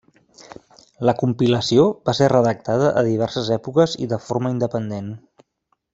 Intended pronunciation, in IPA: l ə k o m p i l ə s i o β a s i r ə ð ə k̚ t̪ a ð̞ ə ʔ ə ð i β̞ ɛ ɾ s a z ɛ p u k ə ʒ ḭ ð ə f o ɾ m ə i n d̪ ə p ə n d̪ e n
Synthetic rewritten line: l ə k u m p i l ə s i o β a s e r ə ð ə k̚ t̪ a ð̞ ə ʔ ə ð i β̞ ɛ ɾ s ə z ɛ p u k ə z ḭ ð ə f o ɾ m ə i n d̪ ə p ə n d̪ e n